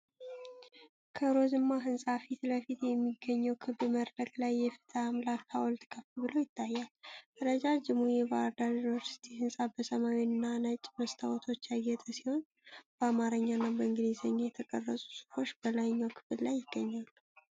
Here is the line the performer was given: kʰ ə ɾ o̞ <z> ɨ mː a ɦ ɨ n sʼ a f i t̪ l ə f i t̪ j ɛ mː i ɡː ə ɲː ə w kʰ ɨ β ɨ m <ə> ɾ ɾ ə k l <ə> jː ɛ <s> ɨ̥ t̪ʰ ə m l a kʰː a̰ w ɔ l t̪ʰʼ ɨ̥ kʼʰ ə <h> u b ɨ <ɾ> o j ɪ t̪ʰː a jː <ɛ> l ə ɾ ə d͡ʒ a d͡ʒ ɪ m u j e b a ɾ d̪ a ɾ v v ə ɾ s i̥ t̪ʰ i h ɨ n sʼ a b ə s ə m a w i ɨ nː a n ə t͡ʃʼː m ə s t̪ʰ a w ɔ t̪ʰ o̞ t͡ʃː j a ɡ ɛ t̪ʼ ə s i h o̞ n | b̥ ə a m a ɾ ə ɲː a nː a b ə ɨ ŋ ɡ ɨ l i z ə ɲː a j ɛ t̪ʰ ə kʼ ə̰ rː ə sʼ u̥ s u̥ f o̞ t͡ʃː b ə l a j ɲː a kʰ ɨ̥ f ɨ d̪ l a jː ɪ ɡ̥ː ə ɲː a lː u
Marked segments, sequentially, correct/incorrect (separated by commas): correct, correct, incorrect, incorrect, incorrect, incorrect, incorrect